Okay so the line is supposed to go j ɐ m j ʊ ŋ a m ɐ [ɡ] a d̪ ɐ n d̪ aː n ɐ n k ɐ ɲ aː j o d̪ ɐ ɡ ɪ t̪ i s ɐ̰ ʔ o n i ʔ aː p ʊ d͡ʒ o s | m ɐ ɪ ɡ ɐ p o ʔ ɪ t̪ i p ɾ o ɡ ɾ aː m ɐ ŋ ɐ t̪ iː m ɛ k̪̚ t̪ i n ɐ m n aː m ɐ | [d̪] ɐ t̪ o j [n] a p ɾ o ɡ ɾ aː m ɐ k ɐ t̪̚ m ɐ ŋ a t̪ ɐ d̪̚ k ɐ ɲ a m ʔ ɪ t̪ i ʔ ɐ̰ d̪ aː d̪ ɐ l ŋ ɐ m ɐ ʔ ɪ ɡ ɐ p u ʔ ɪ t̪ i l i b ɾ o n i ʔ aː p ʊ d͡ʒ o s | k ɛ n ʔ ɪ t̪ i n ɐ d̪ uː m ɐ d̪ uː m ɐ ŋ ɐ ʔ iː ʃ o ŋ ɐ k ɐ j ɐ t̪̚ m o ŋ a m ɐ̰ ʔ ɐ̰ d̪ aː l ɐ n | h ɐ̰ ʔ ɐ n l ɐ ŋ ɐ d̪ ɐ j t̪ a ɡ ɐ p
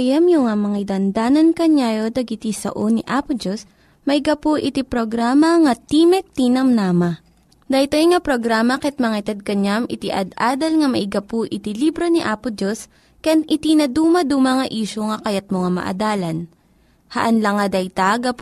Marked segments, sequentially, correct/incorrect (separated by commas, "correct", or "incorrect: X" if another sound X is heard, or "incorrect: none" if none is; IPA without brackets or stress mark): incorrect: ŋ, correct, incorrect: ŋ